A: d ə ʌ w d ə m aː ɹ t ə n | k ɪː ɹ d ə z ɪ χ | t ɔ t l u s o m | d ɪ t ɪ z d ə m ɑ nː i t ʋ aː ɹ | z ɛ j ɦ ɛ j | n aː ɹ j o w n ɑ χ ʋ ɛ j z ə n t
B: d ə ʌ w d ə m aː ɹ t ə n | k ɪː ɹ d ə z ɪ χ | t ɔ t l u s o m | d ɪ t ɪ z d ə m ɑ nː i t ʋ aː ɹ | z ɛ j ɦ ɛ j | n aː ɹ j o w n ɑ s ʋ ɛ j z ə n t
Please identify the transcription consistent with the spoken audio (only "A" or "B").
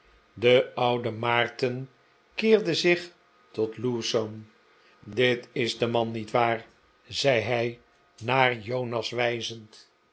B